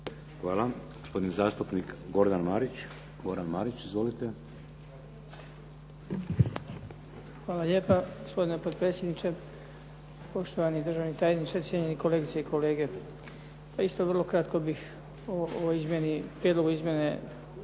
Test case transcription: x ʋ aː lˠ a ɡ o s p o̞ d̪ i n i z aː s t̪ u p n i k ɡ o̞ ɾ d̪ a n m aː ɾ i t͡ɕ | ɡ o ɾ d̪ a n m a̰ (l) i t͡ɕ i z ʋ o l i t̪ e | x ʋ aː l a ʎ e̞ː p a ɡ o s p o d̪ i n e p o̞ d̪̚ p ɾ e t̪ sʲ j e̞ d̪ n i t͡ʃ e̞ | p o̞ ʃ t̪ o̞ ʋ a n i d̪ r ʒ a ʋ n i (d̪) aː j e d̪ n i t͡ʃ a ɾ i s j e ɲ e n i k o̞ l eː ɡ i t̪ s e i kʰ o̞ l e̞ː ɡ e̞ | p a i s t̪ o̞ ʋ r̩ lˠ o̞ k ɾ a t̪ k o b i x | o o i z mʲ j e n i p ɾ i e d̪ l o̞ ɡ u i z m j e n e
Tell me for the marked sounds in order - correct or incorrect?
incorrect, incorrect

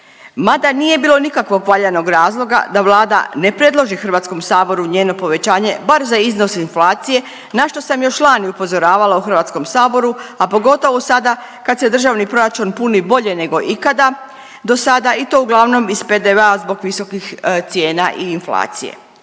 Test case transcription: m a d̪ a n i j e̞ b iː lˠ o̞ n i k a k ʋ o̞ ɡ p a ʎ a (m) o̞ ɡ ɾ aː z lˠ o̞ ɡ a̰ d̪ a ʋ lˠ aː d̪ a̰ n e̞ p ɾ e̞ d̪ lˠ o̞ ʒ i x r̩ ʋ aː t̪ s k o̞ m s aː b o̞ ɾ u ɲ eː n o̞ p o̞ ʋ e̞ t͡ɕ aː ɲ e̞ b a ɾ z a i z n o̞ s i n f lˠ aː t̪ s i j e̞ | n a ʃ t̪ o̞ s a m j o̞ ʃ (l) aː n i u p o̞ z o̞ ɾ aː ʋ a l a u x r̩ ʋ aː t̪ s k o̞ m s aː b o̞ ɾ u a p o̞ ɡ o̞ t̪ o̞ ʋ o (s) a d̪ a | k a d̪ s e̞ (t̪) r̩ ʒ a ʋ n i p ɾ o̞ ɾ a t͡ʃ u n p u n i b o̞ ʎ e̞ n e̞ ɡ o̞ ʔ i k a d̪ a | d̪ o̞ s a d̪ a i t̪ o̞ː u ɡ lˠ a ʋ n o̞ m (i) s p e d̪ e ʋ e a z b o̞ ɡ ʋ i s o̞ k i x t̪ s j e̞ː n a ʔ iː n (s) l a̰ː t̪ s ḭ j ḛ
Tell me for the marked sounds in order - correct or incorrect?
incorrect, correct, correct, incorrect, correct, incorrect

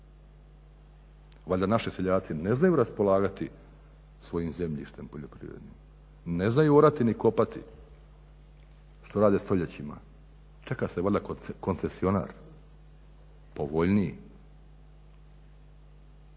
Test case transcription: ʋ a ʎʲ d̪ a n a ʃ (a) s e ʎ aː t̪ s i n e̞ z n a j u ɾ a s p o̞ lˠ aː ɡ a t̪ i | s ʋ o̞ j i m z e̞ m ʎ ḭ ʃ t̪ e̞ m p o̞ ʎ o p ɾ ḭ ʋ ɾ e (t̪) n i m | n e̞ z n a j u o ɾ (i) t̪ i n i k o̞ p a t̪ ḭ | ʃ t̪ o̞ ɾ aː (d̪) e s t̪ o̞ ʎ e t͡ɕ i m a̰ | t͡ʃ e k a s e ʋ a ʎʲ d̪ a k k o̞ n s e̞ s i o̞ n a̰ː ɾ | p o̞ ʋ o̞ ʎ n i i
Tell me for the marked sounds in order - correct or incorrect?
incorrect, incorrect, incorrect, correct

